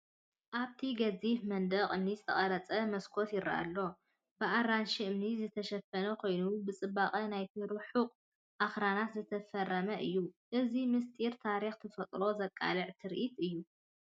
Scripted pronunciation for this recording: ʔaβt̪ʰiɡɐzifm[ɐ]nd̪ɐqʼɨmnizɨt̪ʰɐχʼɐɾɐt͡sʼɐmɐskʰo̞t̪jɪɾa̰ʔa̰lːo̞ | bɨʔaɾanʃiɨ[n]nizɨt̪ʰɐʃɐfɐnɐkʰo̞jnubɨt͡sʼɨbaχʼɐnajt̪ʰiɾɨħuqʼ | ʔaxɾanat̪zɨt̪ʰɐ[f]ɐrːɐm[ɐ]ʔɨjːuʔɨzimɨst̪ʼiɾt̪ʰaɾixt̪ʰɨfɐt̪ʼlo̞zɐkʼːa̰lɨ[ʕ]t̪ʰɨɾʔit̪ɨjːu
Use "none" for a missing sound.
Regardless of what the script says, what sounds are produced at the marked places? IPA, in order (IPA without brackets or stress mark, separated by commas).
ɐ, m, f, ɐ, ʕ